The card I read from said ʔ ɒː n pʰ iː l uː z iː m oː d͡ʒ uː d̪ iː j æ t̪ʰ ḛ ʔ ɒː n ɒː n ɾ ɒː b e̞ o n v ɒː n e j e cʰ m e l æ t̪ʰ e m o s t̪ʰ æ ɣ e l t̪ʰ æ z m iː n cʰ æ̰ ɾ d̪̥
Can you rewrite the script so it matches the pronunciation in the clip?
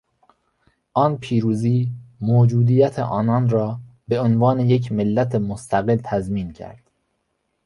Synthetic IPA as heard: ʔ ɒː n pʰ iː ɾ uː z iː m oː d͡ʒ uː d̪ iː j æ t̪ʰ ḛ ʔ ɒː n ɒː n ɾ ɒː b e̞ o n v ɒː n e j e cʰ m e lː æ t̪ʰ e m o s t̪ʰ æ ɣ e l t̪ʰ æ z m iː n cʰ æ̰ ɾ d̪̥